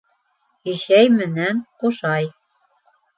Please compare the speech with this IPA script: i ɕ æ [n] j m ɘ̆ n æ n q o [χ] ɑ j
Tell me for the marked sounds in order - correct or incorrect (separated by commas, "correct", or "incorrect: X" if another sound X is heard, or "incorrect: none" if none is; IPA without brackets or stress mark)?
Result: incorrect: none, incorrect: ʃ